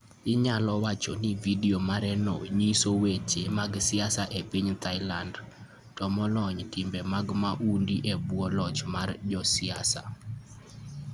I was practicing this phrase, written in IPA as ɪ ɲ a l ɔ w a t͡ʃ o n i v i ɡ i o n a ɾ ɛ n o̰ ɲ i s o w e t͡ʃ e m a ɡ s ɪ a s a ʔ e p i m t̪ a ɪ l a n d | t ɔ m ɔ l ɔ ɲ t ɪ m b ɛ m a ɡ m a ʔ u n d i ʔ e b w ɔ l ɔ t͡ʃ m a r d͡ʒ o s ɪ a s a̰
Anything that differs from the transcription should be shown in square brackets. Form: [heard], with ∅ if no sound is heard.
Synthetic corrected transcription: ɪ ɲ a l ɔ w a t͡ʃ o n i v i [d] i o [m] a ɾ ɛ n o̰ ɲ i s o w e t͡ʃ e m a ɡ s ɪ a s a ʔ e p i [ɲ] t̪ a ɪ l a n d | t ɔ m ɔ l ɔ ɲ t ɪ m b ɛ m a ɡ m a ʔ u n d i ʔ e b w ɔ l ɔ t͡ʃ m a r d͡ʒ [ɔ] s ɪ a s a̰